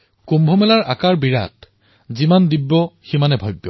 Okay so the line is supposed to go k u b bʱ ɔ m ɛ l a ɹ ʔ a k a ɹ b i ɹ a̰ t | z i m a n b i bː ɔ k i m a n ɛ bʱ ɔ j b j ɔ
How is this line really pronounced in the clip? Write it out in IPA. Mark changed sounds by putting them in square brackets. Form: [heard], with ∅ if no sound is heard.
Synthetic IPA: k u [m] bʱ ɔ m ɛ l a ɹ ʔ a k a ɹ b i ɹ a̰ t | z i m a n [d] i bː ɔ [x] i m a n ɛ bʱ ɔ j b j ɔ